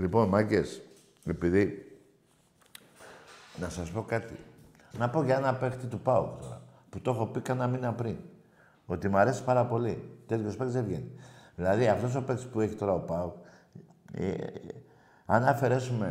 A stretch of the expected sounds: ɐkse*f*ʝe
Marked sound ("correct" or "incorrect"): incorrect